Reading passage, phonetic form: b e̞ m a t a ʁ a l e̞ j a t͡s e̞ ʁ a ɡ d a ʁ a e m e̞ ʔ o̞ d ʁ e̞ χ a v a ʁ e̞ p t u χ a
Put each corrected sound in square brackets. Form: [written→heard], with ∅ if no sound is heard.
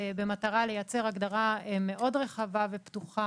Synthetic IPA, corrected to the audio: b e̞ m a t a ʁ a l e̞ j a t͡s e̞ ʁ a ɡ d a ʁ a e m e̞ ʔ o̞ d ʁ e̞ χ a v a [ʁ→v] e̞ p t u χ a